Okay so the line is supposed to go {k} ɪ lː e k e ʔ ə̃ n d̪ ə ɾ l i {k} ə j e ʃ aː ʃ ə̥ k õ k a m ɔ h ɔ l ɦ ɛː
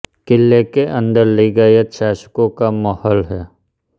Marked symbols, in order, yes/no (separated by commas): yes, no